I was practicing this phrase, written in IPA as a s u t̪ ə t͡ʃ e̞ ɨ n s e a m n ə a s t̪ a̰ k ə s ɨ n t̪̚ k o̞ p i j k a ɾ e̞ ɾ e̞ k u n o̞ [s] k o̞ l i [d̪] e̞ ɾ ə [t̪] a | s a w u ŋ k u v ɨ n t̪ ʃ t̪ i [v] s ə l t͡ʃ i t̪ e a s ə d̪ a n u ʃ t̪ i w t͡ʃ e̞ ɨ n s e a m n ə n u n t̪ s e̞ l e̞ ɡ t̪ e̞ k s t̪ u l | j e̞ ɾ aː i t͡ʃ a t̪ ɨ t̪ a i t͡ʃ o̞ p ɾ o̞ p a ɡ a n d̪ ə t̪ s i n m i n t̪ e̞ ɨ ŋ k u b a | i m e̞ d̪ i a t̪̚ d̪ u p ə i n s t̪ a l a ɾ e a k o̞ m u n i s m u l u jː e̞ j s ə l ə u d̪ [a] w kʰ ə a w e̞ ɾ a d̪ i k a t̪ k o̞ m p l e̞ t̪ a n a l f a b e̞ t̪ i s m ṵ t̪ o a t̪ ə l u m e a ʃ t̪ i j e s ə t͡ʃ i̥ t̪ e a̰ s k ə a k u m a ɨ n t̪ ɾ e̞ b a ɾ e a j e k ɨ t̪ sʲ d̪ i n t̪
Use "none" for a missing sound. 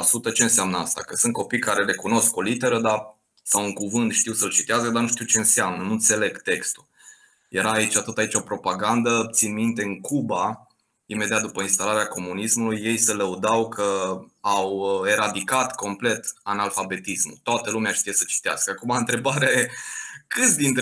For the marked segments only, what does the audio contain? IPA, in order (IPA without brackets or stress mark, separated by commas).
s, t̪, d̪, w, a